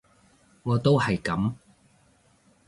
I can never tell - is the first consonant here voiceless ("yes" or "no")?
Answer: no